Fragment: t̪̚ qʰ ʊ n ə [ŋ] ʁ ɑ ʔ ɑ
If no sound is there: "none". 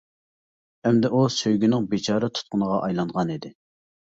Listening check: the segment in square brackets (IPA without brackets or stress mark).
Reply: none